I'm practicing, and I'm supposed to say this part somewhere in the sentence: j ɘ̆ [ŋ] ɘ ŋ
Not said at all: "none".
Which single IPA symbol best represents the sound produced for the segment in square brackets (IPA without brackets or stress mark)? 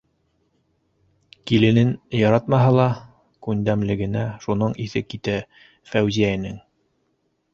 n